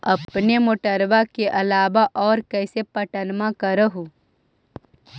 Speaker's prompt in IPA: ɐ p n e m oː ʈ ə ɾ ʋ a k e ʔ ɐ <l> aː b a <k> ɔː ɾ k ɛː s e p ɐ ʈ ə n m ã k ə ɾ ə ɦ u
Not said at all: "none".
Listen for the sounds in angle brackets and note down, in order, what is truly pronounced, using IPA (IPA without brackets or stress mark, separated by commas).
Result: l, ʔ